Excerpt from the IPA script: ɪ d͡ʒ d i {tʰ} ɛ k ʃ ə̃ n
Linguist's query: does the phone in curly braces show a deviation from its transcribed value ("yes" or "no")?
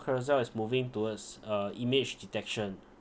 yes